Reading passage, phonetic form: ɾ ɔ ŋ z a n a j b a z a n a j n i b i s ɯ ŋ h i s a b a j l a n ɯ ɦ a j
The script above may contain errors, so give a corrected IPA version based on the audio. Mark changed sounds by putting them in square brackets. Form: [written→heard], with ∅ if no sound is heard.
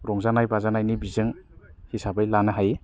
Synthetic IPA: ɾ ɔ ŋ z a n a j b a z a n a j n i b i [s→z] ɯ ŋ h i s a b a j l a n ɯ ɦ a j